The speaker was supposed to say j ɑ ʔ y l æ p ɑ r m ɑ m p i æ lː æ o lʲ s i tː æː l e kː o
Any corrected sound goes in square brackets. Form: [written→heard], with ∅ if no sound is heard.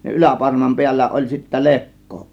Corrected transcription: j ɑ ʔ y l æ p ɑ r m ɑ m p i æ lː æ o lʲ s i tː [æː→æ] l e kː o